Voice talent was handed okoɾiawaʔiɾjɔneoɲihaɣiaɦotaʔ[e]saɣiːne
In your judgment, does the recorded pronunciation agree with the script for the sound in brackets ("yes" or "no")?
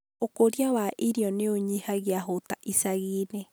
no